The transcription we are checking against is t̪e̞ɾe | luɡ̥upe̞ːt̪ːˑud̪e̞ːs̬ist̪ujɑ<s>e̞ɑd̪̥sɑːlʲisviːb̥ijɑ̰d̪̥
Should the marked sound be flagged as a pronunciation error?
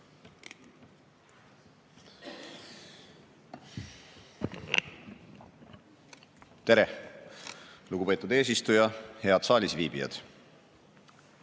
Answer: yes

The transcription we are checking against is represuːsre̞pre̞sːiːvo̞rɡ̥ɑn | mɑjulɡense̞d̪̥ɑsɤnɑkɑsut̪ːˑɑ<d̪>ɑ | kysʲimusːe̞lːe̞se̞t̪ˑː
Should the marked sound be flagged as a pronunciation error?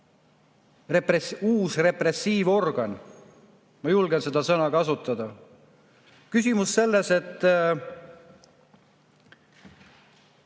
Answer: no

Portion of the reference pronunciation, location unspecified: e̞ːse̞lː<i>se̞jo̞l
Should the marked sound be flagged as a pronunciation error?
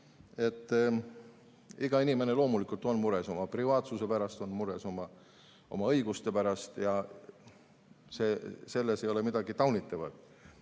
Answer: yes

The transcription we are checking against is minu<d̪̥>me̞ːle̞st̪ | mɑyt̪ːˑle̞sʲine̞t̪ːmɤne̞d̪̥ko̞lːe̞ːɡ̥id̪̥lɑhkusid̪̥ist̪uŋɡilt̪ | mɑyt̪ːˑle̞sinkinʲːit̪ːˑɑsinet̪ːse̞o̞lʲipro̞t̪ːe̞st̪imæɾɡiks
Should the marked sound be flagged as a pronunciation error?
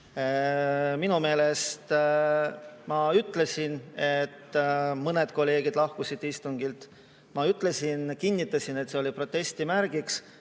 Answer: yes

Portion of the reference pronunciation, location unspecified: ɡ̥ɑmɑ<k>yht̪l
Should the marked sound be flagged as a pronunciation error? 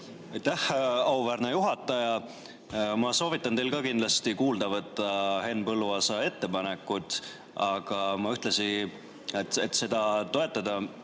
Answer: yes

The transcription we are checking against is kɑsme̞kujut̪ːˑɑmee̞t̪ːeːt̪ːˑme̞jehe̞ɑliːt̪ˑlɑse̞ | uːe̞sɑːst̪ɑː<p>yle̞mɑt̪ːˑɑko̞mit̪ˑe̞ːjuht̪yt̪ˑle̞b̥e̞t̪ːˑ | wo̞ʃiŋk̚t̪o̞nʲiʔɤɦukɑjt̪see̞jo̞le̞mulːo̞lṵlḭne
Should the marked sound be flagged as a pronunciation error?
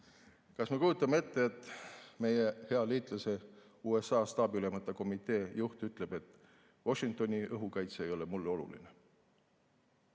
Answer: yes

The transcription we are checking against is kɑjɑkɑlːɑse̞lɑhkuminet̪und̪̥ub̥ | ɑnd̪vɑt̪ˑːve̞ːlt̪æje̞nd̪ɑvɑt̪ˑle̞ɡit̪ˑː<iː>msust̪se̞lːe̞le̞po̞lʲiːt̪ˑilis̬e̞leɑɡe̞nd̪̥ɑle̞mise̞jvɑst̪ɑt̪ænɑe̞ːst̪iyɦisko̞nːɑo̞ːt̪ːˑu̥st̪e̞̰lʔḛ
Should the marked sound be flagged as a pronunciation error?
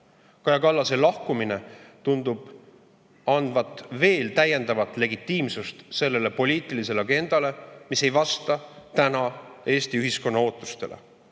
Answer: no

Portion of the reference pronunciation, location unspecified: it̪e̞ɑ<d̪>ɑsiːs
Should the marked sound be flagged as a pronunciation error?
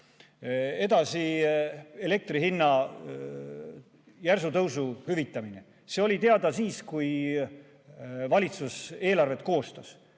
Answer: no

